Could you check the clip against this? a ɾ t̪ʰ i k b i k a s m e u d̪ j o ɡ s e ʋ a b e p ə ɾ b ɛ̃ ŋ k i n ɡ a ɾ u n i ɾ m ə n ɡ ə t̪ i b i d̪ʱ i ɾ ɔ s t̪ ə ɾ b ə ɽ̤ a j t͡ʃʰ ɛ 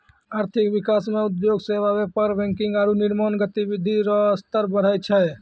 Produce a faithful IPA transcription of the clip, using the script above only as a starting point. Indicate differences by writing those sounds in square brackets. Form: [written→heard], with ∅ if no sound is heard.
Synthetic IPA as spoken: a ɾ t̪ʰ i k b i k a s m e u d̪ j o ɡ s e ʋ a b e p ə ɾ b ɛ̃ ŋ k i [n→ŋ] ɡ a ɾ u n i ɾ m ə n ɡ ə t̪ i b i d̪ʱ i ɾ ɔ s t̪ ə ɾ b ə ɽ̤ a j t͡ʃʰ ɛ